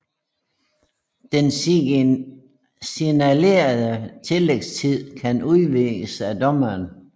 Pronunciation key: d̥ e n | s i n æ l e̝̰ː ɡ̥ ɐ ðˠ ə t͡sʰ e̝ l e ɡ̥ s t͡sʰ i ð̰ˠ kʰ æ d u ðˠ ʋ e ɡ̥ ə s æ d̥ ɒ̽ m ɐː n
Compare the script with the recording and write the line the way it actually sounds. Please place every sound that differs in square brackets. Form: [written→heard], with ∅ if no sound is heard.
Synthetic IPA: d̥ e n | s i n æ l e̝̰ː [ɡ̥→∅] ɐ ðˠ ə t͡sʰ e̝ l e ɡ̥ s t͡sʰ i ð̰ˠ kʰ æ [d→n] u ðˠ ʋ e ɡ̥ ə s æ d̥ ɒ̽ m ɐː n

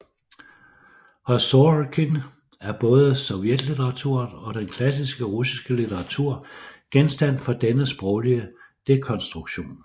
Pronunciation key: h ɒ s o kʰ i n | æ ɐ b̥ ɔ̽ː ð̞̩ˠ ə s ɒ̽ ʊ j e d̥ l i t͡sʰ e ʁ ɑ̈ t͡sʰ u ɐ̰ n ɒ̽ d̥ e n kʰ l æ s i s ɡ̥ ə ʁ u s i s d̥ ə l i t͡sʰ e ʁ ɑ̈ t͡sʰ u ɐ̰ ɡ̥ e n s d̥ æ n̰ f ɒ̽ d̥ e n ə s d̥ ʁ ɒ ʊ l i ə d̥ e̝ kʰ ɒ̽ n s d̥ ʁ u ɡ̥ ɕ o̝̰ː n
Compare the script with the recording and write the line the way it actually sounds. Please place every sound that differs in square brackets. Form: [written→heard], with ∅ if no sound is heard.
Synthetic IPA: h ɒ s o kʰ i n | æ ɐ b̥ ɔ̽ː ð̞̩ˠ ə s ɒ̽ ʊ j e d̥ l i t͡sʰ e ʁ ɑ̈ t͡sʰ u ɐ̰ n ɒ̽ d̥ e n kʰ l æ s i s ɡ̥ ə ʁ u s i s [d̥→ɡ̥] ə l i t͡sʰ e ʁ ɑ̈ t͡sʰ u ɐ̰ ɡ̥ e n s d̥ æ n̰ f ɒ̽ d̥ e n ə s [d̥→b̥] ʁ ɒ ʊ l i ə d̥ e̝ kʰ ɒ̽ n s d̥ ʁ u ɡ̥ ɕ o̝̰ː n

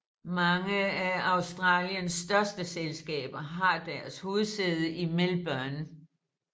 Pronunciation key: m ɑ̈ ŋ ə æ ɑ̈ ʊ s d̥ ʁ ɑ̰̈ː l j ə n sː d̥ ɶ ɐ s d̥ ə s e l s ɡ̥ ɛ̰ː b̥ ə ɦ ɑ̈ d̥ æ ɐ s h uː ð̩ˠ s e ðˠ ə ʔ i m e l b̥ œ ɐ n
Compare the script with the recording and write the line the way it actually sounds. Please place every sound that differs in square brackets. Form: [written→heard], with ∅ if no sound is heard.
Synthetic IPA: m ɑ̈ ŋ ə æ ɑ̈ ʊ s d̥ ʁ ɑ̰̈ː l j ə n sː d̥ ɶ ɐ s d̥ ə s e l s ɡ̥ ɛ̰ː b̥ [ə→ɐ] ɦ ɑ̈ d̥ æ ɐ s h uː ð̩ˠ s e ðˠ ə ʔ i m e l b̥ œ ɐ n

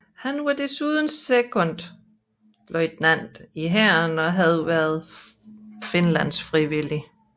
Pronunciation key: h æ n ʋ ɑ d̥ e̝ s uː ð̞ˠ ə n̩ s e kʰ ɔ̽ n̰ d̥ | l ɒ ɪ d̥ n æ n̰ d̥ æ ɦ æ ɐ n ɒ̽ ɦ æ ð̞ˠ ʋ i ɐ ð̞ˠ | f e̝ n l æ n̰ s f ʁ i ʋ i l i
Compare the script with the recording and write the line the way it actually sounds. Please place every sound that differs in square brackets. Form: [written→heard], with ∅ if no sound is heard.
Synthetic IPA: h æ n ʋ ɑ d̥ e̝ s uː ð̞ˠ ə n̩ s e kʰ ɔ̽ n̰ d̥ | l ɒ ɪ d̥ n æ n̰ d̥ [æ→i] ɦ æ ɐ n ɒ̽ ɦ æ ð̞ˠ ʋ [i→æ] ɐ ð̞ˠ | f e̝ n l æ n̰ s f ʁ i ʋ i l i

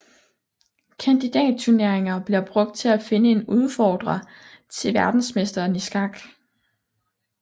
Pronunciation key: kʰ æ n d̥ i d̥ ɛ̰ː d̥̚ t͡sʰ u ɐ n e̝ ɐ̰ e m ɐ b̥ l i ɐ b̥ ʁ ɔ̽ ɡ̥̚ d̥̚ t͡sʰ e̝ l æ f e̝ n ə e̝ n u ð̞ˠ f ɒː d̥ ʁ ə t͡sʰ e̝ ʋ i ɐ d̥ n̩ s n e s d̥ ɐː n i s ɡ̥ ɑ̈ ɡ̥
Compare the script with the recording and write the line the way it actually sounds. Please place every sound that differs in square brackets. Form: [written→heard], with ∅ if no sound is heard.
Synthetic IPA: kʰ æ n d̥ i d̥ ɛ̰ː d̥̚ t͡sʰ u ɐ n e̝ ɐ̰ e [m→ŋ] ɐ b̥ l i ɐ b̥ ʁ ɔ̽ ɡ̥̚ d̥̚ t͡sʰ e̝ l æ f e̝ n ə e̝ n u ð̞ˠ f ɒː d̥ ʁ [ə→ɐ] t͡sʰ e̝ ʋ [i→æ] ɐ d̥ n̩ s [n→m] e s d̥ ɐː n i s ɡ̥ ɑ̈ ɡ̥

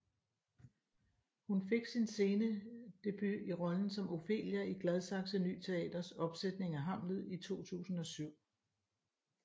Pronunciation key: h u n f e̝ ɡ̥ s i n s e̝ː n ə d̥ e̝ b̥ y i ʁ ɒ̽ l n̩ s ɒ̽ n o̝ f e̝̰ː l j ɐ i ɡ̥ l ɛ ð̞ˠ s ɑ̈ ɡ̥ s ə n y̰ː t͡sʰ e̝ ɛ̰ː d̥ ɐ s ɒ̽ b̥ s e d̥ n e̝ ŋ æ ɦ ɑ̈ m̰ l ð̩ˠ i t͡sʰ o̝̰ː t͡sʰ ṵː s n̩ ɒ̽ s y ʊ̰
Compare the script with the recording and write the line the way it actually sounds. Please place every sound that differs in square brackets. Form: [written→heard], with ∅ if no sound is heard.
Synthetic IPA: h u n f e̝ ɡ̥ s i n s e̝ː n ə d̥ e̝ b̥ y i ʁ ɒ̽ l n̩ s ɒ̽ [n→m] o̝ f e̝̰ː l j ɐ i ɡ̥ l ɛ ð̞ˠ s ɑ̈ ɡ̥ s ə n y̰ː t͡sʰ e̝ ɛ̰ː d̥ ɐ s ɒ̽ b̥ s e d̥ n e̝ ŋ æ ɦ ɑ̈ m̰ l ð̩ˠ i t͡sʰ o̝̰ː t͡sʰ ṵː s n̩ ɒ̽ s y ʊ̰

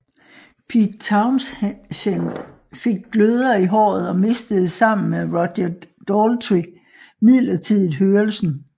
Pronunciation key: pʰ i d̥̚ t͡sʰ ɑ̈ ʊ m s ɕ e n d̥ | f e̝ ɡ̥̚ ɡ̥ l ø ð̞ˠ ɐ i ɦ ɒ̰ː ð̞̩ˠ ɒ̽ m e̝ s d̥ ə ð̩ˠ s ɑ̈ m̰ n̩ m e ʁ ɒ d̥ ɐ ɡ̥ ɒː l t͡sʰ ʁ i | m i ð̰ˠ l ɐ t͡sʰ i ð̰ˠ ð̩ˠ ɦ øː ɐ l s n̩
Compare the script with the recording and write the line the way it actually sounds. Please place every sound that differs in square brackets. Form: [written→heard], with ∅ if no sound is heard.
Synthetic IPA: pʰ i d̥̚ t͡sʰ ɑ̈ ʊ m s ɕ e n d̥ | f e̝ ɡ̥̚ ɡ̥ l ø ð̞ˠ ɐ i ɦ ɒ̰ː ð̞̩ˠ ɒ̽ m e̝ s d̥ ə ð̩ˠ s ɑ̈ m̰ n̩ m e ʁ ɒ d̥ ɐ [ɡ̥→d̥] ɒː l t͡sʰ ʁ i | m i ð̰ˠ l ɐ t͡sʰ i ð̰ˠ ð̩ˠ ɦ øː ɐ l s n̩

